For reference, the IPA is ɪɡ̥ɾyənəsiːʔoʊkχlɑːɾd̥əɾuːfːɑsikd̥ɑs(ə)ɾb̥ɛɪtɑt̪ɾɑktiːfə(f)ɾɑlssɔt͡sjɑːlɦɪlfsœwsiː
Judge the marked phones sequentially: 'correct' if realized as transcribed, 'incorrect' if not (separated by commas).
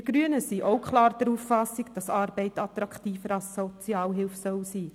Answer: incorrect, incorrect